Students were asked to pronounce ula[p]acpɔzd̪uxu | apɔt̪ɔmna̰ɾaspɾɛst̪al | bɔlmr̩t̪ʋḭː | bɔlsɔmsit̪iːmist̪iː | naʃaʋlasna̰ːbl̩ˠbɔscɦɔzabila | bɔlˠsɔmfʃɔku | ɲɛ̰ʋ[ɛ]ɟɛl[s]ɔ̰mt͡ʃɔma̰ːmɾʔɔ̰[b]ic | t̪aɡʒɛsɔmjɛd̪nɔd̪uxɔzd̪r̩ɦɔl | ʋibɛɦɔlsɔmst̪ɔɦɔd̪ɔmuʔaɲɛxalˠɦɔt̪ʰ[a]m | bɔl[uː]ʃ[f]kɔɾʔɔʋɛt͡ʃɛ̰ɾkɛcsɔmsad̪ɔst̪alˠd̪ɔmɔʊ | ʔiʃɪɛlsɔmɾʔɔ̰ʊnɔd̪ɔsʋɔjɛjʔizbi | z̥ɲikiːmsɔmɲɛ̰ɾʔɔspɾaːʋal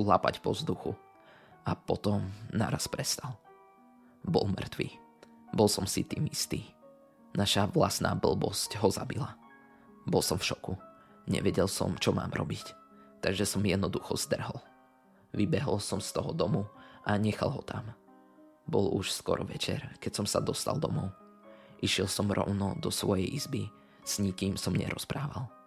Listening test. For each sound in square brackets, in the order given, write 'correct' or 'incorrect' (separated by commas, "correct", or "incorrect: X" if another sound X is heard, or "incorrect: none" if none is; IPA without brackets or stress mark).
correct, correct, correct, correct, correct, incorrect: u, incorrect: s